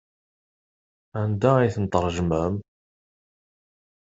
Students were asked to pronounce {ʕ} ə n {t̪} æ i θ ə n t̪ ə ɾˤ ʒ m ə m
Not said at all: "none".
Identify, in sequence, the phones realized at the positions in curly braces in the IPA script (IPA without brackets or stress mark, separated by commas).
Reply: ʕ, d̪